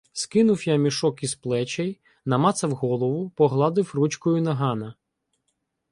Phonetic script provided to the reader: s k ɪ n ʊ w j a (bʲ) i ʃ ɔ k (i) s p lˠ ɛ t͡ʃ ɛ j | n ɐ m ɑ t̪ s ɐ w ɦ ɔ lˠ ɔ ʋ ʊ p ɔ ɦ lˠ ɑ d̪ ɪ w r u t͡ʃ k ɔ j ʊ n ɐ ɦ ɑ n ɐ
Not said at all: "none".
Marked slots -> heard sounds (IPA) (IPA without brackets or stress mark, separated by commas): mʲ, i